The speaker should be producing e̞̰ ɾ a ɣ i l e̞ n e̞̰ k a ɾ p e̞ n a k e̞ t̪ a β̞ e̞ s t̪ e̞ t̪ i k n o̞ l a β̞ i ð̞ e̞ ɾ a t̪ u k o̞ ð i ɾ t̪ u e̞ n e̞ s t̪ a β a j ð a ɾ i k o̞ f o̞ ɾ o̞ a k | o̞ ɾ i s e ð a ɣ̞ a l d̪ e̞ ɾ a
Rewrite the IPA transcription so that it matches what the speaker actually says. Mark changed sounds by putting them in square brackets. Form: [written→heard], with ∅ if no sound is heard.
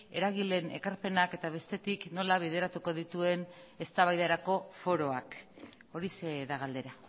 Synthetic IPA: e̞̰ ɾ a ɣ i l e̞ n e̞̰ k a ɾ p e̞ n a k e̞ t̪ a β̞ e̞ s t̪ e̞ t̪ i k n o̞ l a β̞ i ð̞ e̞ ɾ a t̪ u k o̞ ð i [ɾ→∅] t̪ u e̞ n e̞ s t̪ a β a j ð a ɾ [i→a] k o̞ f o̞ ɾ o̞ a k | o̞ ɾ i s e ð a ɣ̞ a l d̪ e̞ ɾ a

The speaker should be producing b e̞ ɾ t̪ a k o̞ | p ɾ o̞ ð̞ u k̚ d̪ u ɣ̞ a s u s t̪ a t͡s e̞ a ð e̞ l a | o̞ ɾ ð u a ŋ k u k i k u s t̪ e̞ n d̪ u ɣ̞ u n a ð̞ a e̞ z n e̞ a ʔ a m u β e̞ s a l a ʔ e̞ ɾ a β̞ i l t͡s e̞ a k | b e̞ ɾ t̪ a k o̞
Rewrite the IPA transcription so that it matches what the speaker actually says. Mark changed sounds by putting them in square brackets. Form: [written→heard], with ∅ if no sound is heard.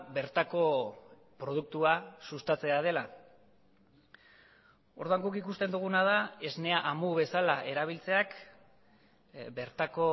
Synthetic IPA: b e̞ ɾ t̪ a k o̞ | p ɾ o̞ ð̞ u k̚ [d̪→t̪] u [ɣ̞→∅] a s u s t̪ a t͡s e̞ a ð e̞ l a | o̞ ɾ ð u a ŋ [k→ɡ] u k i k u s t̪ e̞ n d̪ u ɣ̞ u n a ð̞ a e̞ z n e̞ a ʔ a m u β e̞ s a l a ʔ e̞ ɾ a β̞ i l t͡s e̞ a k | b e̞ ɾ t̪ a k o̞

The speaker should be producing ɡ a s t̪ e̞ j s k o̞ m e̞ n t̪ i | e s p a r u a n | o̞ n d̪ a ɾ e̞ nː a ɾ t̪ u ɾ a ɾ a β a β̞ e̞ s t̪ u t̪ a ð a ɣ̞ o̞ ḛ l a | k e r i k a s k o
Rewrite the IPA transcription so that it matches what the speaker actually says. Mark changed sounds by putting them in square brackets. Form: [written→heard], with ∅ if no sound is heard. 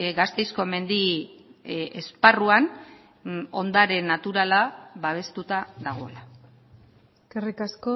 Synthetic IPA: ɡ a s t̪ e̞ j s k o̞ m e̞ n [t̪→d̪] i | e s p a r u a n | o̞ n d̪ a ɾ e̞ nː a [ɾ→∅] t̪ u ɾ a [ɾ→l] a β a β̞ e̞ s t̪ u t̪ a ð a ɣ̞ o̞ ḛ l a | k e r i k a s k o

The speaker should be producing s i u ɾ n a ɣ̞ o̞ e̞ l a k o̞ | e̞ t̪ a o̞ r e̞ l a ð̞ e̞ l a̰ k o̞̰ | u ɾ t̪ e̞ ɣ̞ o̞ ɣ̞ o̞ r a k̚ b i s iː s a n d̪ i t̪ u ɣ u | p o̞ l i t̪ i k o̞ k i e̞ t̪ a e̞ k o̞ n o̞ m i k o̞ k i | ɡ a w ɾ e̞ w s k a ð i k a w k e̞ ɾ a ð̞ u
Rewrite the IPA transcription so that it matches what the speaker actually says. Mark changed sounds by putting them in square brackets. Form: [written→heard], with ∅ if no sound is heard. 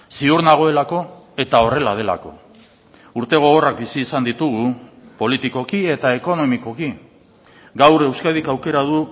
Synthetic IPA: s i u ɾ n a ɣ̞ o̞ e̞ l a k o̞ | e̞ t̪ a o̞ r e̞ l a ð̞ e̞ l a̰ k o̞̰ | u ɾ t̪ e̞ ɣ̞ o̞ ɣ̞ o̞ r a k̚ b i s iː s a n d̪ i t̪ u ɣ u | p o̞ l i t̪ i k o̞ k i e̞ t̪ a e̞ k o̞ n o̞ m i k o̞ k i | ɡ a w ɾ e̞ w s k a ð i k a w k e̞ ɾ a ð̞ u

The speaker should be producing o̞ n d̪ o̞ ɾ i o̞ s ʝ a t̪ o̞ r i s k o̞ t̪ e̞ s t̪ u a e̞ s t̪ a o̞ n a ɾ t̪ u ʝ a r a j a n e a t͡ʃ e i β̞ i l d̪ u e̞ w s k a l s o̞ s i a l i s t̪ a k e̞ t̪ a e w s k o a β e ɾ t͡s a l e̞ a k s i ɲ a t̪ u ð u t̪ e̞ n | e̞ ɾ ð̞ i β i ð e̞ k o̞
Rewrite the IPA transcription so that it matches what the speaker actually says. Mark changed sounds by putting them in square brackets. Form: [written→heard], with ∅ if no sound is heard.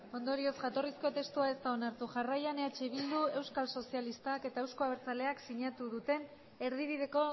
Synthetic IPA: o̞ n d̪ o̞ ɾ i o̞ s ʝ a t̪ o̞ r i s k o̞ t̪ e̞ s t̪ u a e̞ s t̪ a o̞ n a ɾ t̪ u ʝ a r a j a n e a t͡ʃ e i β̞ i l d̪ u e̞ w s k a l s o̞ s i a l i s t̪ a k e̞ t̪ a e w s k o a β e ɾ t͡s a l e̞ a k s i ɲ a t̪ u ð u t̪ e̞ n | e̞ ɾ ð̞ i β i ð e̞ k o̞

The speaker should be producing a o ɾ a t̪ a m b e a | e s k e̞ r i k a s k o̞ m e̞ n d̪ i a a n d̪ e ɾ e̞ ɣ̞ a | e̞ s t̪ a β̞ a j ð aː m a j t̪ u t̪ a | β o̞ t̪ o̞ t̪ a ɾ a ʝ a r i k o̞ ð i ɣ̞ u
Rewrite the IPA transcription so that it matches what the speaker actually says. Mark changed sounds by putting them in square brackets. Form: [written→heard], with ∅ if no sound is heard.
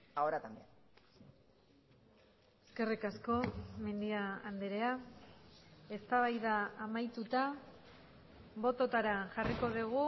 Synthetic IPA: a o ɾ a t̪ a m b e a | e s k e̞ r i k a s k o̞ m e̞ n d̪ i a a n d̪ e ɾ e̞ [ɣ̞→∅] a | e̞ s t̪ a β̞ a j ð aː m a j t̪ u t̪ a | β o̞ t̪ o̞ t̪ a ɾ a ʝ a r i k o̞ ð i ɣ̞ u

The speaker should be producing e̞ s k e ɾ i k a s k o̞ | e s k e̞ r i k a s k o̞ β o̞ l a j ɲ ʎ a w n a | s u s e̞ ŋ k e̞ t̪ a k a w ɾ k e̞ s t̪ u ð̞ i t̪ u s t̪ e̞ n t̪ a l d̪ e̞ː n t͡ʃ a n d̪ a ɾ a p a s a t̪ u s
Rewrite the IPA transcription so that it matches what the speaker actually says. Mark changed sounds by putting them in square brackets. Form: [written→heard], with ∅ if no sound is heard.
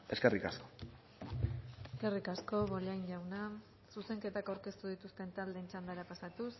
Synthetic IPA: e̞ s k e [ɾ→r] i k a s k o̞ | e s k e̞ r i k a s k o̞ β o̞ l a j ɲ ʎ a w n a | s u s e̞ ŋ k e̞ t̪ a k a w ɾ k e̞ s t̪ u ð̞ i t̪ u s t̪ e̞ n t̪ a l d̪ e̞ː n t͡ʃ a n d̪ a ɾ a p a s a t̪ u s

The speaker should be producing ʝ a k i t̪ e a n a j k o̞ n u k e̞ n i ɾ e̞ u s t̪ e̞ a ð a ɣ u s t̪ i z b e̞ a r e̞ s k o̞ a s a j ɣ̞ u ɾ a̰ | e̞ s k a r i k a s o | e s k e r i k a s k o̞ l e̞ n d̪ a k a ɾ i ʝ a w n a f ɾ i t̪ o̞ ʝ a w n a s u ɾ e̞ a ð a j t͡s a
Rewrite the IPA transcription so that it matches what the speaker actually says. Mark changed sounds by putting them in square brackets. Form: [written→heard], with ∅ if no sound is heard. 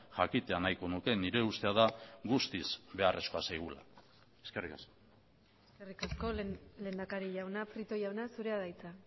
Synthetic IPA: ʝ a k i t̪ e a n a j k o̞ n u k e̞ n i ɾ e̞ u s t̪ e̞ a ð a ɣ u s t̪ i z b e̞ a r e̞ s k o̞ a s a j ɣ̞ u [ɾ→l] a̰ | e̞ s k [a→e] r i k a s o | e s k e r i k a s k o̞ l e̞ n d̪ a k a ɾ i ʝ a w n a f ɾ i t̪ o̞ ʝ a w n a s u ɾ e̞ a ð a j t͡s a

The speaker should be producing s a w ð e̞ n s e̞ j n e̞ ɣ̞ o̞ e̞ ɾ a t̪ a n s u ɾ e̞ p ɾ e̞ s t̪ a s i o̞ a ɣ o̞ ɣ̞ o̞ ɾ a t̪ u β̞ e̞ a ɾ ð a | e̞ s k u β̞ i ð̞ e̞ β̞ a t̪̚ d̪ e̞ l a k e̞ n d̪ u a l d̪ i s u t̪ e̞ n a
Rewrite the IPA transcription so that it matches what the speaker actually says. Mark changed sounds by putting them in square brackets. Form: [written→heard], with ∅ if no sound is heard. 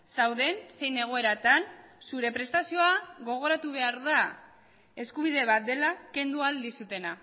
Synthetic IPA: s a w ð e̞ n s e̞ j n e̞ ɣ̞ o̞ e̞ ɾ a t̪ a n s u ɾ e̞ p ɾ e̞ s t̪ a s i o̞ a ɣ o̞ ɣ̞ o̞ ɾ a t̪ u β̞ e̞ a ɾ ð a | e̞ s k u β̞ i ð̞ e̞ β̞ a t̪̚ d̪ e̞ l a k e̞ n d̪ u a l d̪ i s u t̪ e̞ n a

